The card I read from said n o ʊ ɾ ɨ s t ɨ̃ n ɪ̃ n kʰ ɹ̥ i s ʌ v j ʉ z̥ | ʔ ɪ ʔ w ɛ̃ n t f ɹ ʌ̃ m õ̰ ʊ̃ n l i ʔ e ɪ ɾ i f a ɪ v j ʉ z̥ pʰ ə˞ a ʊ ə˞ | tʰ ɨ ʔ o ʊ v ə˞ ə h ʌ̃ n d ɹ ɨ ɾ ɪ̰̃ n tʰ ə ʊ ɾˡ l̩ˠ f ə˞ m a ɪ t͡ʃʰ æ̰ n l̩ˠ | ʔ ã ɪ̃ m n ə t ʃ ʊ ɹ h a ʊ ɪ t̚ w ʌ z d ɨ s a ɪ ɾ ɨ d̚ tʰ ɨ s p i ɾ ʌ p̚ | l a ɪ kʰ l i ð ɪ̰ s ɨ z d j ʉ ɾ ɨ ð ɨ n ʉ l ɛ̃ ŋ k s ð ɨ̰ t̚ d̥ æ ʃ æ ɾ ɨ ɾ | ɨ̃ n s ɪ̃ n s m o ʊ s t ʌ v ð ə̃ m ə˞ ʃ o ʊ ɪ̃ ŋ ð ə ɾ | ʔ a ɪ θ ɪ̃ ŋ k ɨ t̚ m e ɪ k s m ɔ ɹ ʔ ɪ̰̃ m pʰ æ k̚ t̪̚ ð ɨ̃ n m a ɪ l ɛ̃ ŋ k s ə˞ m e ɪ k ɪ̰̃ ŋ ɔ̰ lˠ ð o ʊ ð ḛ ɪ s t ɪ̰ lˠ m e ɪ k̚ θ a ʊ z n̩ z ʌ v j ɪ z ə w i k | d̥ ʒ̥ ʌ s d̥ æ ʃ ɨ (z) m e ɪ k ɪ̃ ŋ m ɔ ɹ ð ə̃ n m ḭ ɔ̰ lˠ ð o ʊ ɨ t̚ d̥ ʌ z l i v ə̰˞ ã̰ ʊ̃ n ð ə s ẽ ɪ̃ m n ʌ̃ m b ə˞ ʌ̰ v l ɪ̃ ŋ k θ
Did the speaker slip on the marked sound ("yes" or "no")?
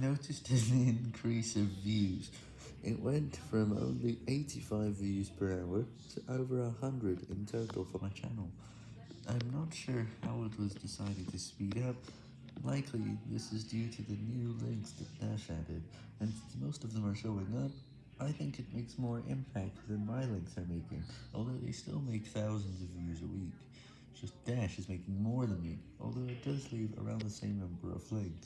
no